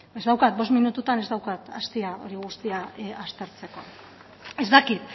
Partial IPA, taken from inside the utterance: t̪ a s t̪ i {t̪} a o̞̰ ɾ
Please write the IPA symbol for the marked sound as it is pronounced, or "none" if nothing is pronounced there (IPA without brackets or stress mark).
none